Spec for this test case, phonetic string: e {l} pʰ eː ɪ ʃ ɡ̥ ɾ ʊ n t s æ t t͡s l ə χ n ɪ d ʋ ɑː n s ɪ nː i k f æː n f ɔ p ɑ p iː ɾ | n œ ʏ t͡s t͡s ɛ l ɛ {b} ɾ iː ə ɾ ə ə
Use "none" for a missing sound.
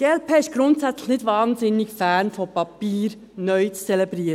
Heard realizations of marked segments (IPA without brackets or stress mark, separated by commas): l, b